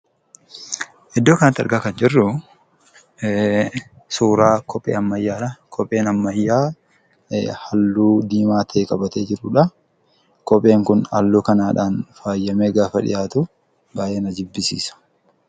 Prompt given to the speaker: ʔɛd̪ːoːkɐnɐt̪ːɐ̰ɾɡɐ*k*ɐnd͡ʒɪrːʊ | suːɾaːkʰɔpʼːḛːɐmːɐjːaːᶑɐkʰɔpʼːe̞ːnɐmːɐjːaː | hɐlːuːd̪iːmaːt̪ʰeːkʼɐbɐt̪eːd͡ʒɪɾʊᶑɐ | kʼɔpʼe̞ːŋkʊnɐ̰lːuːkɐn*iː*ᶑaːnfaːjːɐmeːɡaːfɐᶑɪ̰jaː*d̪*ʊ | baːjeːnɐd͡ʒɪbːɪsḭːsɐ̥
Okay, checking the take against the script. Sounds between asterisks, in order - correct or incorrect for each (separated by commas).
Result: correct, incorrect, incorrect